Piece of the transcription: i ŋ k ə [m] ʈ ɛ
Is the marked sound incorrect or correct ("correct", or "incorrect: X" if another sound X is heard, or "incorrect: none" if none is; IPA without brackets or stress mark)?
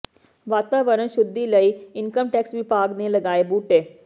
correct